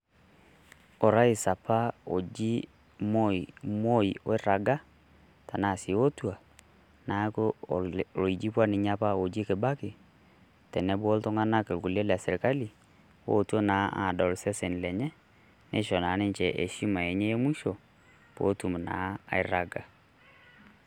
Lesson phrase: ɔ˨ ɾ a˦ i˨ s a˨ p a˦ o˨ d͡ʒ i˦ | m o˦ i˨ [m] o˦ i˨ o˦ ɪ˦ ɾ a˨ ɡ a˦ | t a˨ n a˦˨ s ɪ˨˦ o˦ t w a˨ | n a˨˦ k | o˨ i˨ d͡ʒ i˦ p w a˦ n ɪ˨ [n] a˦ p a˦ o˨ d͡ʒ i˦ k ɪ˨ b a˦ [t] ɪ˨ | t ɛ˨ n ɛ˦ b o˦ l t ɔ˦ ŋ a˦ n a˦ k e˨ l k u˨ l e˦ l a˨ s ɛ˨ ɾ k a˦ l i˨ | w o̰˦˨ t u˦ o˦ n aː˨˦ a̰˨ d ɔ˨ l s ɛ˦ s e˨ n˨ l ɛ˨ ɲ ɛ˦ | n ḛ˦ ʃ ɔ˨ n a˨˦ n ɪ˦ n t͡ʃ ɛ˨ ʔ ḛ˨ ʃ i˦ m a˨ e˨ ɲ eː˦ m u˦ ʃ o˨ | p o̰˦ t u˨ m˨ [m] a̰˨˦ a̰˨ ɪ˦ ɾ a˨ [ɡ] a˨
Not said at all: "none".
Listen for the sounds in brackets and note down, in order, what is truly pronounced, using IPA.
m, ɲ, k, n, ɡ

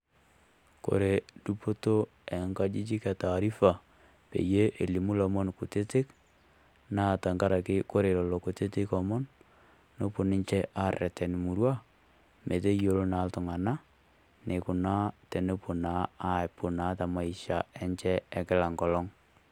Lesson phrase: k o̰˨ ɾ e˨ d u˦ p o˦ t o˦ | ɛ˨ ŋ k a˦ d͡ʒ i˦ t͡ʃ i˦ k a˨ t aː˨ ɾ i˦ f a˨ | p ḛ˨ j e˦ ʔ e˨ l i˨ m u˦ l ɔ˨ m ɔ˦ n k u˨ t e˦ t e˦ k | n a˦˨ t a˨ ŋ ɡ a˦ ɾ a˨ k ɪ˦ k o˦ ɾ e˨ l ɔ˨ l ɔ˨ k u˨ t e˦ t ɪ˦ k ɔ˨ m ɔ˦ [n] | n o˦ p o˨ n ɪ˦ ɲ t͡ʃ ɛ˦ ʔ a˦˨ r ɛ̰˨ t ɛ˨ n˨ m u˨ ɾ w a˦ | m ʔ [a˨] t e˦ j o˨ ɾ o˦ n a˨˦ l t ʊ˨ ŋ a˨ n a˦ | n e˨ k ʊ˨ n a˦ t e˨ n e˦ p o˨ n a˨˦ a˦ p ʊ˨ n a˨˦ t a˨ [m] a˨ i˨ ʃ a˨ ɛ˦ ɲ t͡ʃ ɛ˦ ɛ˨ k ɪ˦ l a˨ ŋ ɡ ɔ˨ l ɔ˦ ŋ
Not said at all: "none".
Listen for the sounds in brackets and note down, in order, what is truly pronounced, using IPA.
n, e˨, m

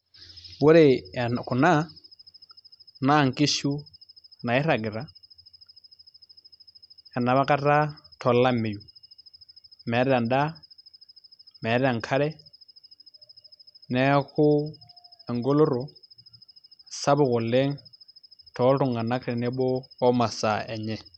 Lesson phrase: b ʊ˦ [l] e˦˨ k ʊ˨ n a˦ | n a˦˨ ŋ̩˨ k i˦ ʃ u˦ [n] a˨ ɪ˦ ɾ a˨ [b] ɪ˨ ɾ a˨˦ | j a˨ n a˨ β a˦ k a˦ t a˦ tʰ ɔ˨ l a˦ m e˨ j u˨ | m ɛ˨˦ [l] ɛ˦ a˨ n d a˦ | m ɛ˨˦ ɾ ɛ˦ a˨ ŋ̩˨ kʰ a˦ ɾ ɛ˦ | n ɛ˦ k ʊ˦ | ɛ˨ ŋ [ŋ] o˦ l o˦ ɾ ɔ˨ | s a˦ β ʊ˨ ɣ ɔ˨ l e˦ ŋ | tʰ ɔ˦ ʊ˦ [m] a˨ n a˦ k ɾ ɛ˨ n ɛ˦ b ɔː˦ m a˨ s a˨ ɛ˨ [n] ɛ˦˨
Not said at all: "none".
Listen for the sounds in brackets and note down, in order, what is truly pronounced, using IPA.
ɾ, n, ɡ, ɾ, ɡ, ŋ, ɲ

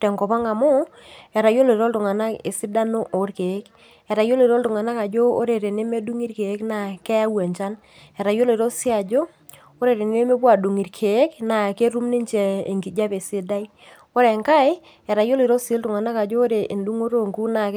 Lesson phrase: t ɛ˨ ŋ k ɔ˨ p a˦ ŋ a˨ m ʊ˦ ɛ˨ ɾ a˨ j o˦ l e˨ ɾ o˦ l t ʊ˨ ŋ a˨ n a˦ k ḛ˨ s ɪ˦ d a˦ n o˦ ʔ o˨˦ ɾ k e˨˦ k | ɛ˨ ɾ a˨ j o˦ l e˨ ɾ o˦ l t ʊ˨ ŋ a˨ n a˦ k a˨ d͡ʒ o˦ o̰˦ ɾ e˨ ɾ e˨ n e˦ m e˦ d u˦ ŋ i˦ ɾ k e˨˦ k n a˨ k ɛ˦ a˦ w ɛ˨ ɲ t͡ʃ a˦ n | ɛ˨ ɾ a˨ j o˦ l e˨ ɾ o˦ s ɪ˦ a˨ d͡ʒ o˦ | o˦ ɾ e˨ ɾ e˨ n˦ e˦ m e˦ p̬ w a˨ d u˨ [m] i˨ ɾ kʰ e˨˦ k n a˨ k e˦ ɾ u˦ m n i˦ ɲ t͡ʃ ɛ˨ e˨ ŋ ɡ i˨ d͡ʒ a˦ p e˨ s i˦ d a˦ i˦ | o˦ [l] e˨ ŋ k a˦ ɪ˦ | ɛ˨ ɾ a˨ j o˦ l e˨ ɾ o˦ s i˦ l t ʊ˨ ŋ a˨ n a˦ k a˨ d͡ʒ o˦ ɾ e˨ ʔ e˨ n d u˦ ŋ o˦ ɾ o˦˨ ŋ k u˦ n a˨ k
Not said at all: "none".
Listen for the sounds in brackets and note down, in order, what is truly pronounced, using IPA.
ŋ, ɾ

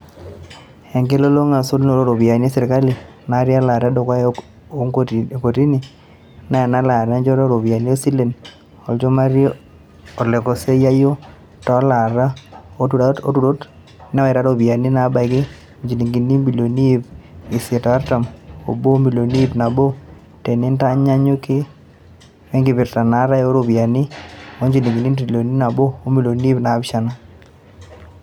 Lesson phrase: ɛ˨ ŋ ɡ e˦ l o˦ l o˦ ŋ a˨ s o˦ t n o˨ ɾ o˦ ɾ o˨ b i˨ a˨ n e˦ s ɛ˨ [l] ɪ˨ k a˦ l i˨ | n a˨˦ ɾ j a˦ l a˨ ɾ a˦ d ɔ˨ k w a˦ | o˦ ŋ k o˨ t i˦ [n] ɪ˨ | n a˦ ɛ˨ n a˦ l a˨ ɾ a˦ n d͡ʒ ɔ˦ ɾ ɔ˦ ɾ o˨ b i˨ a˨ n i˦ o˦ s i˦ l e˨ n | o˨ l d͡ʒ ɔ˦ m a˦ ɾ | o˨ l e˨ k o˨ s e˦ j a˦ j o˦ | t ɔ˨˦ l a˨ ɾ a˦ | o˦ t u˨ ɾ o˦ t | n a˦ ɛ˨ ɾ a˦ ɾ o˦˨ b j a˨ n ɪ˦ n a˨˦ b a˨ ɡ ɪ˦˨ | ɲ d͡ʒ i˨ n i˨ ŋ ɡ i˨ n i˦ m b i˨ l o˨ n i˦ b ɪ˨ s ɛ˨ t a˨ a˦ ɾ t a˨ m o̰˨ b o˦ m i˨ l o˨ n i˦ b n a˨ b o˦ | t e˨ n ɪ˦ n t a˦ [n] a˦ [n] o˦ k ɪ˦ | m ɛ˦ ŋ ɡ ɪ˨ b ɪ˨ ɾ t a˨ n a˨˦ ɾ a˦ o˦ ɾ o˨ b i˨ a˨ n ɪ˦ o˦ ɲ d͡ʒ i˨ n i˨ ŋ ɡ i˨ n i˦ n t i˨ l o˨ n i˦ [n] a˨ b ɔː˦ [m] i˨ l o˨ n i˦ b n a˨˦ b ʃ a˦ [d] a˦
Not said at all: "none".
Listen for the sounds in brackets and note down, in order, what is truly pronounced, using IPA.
ɾ, n, ɲ, ɲ, n, m, n

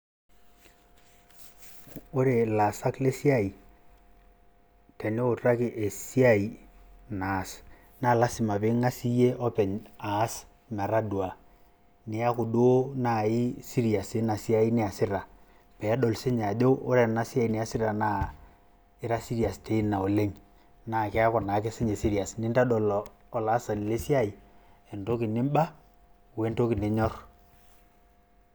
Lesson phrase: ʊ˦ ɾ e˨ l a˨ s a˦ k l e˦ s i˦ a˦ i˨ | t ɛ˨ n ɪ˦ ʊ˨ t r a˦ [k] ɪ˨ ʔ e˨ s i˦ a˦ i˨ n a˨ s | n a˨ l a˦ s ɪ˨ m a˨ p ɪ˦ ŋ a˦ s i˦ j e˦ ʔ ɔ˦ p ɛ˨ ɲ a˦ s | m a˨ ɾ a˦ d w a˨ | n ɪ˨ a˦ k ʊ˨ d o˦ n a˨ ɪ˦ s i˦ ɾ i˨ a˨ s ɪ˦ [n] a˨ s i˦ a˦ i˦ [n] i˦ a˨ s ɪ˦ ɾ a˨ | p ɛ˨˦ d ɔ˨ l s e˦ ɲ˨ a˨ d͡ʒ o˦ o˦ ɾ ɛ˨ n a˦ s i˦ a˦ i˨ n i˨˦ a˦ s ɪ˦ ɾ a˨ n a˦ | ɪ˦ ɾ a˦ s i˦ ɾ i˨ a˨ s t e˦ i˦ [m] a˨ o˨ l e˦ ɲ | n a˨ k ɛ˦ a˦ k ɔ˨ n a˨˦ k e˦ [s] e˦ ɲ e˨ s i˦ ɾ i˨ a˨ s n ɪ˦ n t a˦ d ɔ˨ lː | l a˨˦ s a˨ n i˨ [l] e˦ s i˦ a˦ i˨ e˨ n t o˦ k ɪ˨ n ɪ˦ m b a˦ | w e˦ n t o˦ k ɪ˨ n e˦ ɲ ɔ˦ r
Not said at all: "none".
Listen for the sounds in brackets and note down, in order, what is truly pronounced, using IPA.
k, n, n, n, s, l

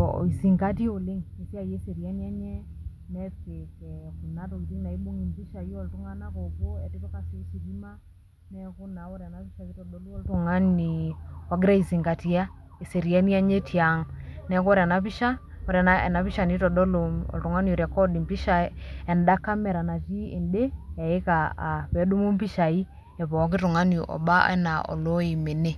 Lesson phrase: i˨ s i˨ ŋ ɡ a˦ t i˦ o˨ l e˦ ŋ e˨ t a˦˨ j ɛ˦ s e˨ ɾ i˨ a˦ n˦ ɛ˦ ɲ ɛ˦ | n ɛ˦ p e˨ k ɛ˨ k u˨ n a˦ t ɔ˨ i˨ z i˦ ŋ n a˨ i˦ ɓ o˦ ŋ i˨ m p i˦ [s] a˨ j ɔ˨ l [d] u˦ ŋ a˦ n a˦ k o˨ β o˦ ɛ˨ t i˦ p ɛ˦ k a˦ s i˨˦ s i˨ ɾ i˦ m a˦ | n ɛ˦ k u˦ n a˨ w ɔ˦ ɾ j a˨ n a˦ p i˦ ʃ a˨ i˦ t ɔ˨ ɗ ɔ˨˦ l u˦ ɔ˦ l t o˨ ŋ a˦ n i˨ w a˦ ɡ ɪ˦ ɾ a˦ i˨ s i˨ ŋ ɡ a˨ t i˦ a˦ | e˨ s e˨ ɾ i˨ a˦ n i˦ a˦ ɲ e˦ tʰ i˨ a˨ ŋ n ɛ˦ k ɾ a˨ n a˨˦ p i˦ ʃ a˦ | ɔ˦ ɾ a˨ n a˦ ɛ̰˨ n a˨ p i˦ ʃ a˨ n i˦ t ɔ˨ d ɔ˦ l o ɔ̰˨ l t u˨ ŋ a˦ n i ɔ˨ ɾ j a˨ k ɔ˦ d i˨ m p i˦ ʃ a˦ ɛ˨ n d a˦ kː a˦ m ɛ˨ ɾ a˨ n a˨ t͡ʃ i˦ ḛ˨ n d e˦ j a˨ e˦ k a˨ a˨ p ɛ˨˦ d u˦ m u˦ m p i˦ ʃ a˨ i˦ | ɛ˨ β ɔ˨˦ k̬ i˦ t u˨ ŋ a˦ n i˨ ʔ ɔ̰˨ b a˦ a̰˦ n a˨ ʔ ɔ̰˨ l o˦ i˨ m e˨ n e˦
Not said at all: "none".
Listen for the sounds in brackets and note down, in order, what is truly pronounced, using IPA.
ʃ, t

